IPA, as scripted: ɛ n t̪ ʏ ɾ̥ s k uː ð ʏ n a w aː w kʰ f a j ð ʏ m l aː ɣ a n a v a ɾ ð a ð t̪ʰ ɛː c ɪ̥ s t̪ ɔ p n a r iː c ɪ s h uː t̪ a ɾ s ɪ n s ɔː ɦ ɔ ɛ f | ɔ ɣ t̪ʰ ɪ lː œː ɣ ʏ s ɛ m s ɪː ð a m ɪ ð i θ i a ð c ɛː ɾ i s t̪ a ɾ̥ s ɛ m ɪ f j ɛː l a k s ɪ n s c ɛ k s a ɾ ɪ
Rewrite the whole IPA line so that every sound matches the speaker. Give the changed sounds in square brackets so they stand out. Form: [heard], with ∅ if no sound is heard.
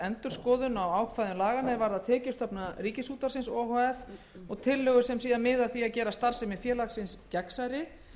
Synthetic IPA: ɛ n t̪ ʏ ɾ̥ s k [ɔː] ð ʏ n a w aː w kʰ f a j ð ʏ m l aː ɣ a n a v a ɾ ð a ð t̪ʰ ɛː c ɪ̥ s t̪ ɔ p n a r iː c ɪ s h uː t̪ a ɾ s ɪ n s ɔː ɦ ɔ ɛ f | ɔ ɣ t̪ʰ ɪ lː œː ɣ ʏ s ɛ m s [iː] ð a m ɪ ð [a] θ i a ð c ɛː ɾ [a] s t̪ a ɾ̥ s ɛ m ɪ f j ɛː l a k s ɪ n s c ɛ k s a ɾ ɪ

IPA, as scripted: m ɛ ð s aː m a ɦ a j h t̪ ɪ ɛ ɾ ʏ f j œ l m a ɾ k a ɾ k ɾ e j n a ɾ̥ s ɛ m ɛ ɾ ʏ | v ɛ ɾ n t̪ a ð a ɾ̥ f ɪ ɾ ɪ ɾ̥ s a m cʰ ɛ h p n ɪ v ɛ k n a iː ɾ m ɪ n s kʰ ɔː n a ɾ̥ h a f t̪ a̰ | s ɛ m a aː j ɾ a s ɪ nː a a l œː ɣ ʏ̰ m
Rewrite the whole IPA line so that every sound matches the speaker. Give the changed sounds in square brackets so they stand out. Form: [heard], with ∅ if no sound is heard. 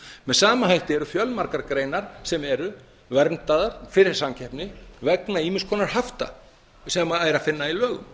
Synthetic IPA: m ɛ ð s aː m a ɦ a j h t̪ ɪ ɛ ɾ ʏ f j œ l m a ɾ k a ɾ k ɾ e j n a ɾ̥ s ɛ m ɛ ɾ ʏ | v ɛ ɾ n t̪ a ð a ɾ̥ f ɪ ɾ ɪ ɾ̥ s a m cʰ ɛ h p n ɪ v ɛ k n a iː [∅] m ɪ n s kʰ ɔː n a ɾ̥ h a f t̪ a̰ | s ɛ m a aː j ɾ a [f] ɪ nː a [i] l œː ɣ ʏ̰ m

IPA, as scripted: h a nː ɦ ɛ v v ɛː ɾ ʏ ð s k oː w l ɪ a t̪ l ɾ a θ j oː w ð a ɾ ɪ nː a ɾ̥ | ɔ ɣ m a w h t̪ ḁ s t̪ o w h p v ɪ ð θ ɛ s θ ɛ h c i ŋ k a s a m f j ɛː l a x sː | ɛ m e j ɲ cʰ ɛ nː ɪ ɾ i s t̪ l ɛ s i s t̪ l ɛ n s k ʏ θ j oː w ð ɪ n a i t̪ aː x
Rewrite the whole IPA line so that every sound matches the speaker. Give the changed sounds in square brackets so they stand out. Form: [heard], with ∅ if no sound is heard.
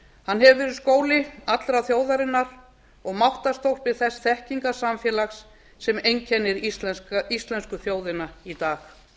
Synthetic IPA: h a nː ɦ ɛ v v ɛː ɾ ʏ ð s k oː w l ɪ a t̪ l ɾ a θ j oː w ð a ɾ ɪ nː a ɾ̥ | ɔ ɣ m a w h t̪ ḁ s t̪ o w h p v ɪ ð θ ɛ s θ ɛ h c i ŋ k a s a m f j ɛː l a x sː | ɛ m e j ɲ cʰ ɛ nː ɪ ɾ i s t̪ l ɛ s i s t̪ l ɛ n s k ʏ θ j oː w ð ɪ n a i t̪ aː x

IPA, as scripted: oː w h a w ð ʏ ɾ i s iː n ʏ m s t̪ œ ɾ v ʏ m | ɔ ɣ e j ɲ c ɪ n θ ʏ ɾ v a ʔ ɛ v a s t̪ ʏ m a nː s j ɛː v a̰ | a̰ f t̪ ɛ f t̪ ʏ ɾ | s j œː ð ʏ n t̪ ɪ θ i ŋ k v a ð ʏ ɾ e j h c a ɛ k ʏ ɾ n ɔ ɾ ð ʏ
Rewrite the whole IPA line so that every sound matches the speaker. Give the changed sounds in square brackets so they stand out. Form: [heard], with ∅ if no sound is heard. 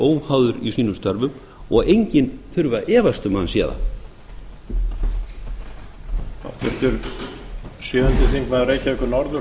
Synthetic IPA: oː w h a w ð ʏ ɾ i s iː n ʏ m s t̪ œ ɾ v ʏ m | ɔ ɣ e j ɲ c ɪ n θ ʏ ɾ v a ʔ [ɛː] v a s t̪ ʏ m a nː s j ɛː [ð] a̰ | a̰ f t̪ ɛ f t̪ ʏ ɾ | s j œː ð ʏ n t̪ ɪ θ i ŋ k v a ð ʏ ɾ e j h c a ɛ k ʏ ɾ n ɔ ɾ ð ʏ

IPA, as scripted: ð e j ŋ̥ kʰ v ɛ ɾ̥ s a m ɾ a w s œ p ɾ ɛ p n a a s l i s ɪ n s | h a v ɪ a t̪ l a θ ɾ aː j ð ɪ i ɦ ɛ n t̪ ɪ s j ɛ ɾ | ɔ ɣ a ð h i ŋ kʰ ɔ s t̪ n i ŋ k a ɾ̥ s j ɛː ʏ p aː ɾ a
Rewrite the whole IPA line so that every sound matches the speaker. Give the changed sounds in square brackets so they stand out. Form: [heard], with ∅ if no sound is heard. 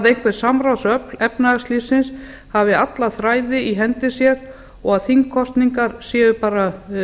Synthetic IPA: ð e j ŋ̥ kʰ v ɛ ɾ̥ s a m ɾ a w s œ p [l] ɛ p n a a s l i s ɪ n s | h a v ɪ a t̪ l a θ ɾ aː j ð ɪ i ɦ ɛ n t̪ ɪ s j ɛ ɾ | ɔ ɣ a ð [θ] i ŋ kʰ ɔ s t̪ n i ŋ k a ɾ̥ s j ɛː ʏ p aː ɾ a

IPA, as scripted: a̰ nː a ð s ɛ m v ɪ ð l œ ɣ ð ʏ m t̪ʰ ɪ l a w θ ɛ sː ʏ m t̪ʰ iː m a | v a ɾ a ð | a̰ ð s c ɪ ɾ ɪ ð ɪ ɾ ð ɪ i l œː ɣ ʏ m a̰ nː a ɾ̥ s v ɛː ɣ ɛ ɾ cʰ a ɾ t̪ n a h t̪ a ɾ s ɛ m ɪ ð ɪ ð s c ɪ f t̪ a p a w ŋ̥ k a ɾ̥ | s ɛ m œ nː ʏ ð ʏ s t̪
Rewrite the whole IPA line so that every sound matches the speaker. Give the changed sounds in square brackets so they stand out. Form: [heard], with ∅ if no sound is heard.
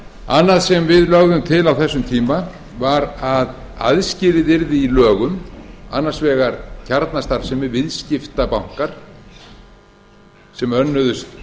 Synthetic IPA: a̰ nː a ð s ɛ m v ɪ ð l œ ɣ ð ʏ m t̪ʰ ɪ l a w θ ɛ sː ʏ m t̪ʰ iː m a | v a ɾ a ð | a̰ ð s c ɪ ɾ ɪ ð ɪ ɾ ð ɪ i l œː ɣ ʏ m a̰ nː a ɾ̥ s v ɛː ɣ [a] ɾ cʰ a ɾ t̪ n a [s] t̪ a ɾ s ɛ m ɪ [v] ɪ ð s c ɪ f t̪ a p a w ŋ̥ k a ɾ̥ | s ɛ m œ nː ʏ ð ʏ s t̪

